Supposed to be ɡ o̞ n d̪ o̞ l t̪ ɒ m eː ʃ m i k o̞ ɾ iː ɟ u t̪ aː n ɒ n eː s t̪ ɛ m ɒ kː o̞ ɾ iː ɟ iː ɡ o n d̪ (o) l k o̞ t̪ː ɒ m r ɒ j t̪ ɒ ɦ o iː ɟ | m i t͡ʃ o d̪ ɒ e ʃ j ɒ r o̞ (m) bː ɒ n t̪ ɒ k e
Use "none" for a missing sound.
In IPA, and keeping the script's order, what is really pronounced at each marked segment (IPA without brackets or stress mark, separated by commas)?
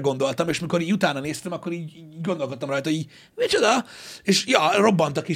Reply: o, none